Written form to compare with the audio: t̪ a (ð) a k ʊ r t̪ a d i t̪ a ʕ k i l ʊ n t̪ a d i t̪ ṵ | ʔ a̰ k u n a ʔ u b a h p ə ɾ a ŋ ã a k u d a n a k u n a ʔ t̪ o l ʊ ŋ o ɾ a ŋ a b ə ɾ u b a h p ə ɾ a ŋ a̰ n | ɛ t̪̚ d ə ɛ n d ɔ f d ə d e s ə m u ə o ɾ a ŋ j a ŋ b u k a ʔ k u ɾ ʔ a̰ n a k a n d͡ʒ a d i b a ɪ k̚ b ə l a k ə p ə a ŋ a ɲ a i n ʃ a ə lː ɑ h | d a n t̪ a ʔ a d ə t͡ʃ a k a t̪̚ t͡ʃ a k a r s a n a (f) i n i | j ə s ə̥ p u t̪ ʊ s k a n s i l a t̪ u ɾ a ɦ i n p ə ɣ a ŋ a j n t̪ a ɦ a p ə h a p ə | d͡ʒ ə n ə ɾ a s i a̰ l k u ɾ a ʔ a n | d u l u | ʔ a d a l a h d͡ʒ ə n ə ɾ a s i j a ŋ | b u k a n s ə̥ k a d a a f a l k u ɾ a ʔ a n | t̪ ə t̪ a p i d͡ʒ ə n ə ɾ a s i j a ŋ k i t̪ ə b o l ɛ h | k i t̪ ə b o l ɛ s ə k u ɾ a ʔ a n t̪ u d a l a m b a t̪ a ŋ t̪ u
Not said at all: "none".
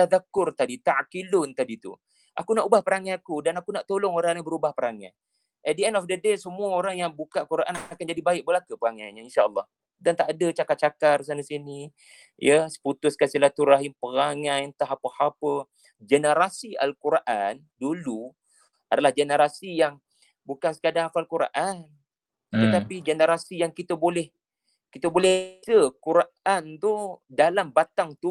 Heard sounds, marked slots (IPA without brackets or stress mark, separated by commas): ð, s